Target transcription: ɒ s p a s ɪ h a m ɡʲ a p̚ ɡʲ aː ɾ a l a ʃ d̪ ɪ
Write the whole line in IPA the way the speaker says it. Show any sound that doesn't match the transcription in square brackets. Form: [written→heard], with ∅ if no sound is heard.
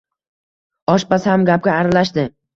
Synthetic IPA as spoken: ɒ [s→ʃ] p a s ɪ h a m ɡʲ a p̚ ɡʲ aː ɾ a l a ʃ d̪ ɪ